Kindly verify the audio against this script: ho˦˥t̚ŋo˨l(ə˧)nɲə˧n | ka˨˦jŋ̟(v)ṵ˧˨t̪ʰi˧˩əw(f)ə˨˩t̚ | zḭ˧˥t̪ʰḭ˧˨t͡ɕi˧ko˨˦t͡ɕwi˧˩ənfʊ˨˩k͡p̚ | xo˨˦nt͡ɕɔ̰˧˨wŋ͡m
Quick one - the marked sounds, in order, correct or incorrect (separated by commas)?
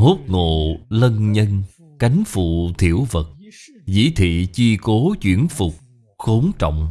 correct, incorrect, incorrect